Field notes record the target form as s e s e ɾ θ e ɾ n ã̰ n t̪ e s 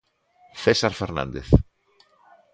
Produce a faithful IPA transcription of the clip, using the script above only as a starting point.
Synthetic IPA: θ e s a ɾ f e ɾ n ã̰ n d̪ e θ